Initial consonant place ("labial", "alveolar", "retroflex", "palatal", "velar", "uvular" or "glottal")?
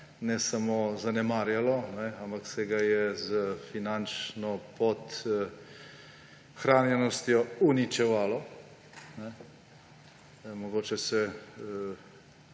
alveolar